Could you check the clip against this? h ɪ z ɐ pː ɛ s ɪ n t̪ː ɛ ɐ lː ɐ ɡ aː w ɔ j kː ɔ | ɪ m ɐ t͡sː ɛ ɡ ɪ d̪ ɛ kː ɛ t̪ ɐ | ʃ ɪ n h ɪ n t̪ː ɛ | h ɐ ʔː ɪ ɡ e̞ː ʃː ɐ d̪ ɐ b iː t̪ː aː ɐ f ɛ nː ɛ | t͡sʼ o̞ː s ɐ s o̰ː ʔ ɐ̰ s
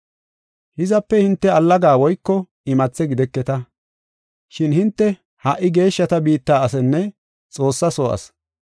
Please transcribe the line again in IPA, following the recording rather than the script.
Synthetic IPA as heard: h ɪ z ɐ pː ɛ h ɪ n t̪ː ɛ ɐ lː ɐ ɡ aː w ɔ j kː ɔ | ɪ m ɐ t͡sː ɛ ɡ ɪ d̪ ɛ kː ɛ t̪ ɐ | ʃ ɪ n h ɪ n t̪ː ɛ | h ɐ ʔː ɪ ɡ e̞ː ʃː ɐ t̪ ɐ b iː t̪ː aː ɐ s ɛ nː ɛ | t͡sʼ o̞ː sː ɐ s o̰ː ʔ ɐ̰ s